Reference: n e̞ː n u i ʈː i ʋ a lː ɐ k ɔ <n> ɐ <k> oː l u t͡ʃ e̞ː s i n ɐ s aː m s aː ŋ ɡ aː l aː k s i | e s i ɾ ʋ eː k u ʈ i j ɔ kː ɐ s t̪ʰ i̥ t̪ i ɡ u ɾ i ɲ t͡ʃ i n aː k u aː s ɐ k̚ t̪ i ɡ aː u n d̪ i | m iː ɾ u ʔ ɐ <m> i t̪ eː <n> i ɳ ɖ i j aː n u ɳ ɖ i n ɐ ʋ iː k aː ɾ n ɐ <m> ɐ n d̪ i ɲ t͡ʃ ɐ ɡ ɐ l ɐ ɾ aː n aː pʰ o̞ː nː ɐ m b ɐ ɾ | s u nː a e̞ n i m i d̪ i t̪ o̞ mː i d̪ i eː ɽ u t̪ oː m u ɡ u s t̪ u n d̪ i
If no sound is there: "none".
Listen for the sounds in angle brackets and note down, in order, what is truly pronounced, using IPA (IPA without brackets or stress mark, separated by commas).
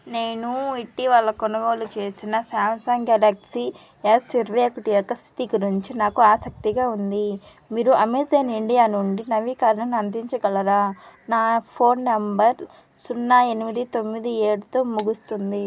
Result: n, ɡ, m, n, n